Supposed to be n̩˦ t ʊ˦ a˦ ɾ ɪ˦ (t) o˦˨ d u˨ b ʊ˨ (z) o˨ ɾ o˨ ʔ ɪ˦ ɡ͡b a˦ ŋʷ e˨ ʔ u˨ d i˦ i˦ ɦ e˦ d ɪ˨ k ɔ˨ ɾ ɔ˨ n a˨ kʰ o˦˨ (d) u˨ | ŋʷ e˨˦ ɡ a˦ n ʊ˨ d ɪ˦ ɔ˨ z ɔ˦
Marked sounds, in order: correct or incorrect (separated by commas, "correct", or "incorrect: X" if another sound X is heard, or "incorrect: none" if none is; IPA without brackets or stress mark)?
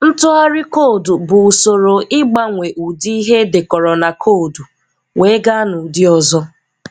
incorrect: k, incorrect: s, correct